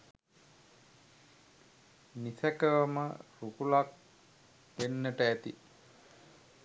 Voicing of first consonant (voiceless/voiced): voiced